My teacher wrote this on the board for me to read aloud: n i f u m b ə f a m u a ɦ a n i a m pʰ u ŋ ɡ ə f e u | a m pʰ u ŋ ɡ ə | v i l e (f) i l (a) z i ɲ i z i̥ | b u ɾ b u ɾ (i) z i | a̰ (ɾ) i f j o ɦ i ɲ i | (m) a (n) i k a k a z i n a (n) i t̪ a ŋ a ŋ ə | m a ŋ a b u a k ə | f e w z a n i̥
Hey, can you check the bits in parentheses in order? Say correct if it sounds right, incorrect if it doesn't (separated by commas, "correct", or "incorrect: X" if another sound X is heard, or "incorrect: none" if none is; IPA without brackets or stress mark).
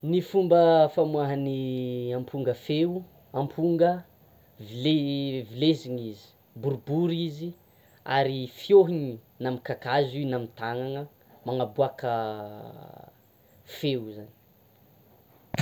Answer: incorrect: v, incorrect: e, correct, correct, incorrect: n, incorrect: m, incorrect: m